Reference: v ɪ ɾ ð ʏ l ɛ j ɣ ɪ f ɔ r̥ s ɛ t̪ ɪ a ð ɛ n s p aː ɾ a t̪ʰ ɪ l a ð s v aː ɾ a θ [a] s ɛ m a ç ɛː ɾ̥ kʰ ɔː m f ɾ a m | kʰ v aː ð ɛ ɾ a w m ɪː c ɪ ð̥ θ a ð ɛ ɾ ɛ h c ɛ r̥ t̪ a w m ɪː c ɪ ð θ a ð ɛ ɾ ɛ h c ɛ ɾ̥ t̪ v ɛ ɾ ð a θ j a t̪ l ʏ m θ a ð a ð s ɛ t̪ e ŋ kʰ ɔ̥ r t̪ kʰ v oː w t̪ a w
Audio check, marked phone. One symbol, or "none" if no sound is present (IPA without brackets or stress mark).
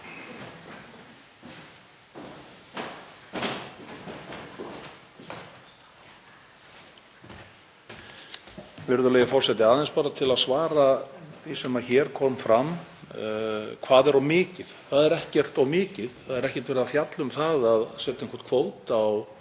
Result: i